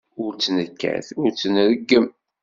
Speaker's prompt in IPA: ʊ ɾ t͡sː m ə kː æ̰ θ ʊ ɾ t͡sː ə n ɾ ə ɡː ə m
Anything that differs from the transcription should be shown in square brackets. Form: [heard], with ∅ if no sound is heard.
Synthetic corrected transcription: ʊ ɾ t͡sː [n] ə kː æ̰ θ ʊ ɾ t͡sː ə n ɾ ə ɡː ə m